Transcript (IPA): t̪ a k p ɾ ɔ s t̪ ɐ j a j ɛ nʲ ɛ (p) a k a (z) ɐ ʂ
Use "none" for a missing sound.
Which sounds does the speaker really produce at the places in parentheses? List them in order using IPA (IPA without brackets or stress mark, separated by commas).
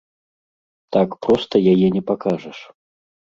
p, ʐ